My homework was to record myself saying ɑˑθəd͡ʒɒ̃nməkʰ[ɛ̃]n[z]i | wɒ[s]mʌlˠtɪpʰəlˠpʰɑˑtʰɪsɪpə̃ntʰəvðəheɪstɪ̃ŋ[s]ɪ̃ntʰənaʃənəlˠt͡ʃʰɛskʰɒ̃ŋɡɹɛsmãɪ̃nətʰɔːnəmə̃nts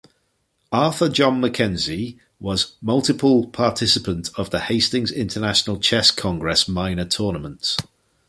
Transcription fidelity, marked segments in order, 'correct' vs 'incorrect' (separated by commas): correct, correct, incorrect, incorrect